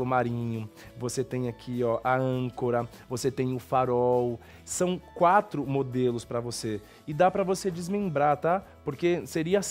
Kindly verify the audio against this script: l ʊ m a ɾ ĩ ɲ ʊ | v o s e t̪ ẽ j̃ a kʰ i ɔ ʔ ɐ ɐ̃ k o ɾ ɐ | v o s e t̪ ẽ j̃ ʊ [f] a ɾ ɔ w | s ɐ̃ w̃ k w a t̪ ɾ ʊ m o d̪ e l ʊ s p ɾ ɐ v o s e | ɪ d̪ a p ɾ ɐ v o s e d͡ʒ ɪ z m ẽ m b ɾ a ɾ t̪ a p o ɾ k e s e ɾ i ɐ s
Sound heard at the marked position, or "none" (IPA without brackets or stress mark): f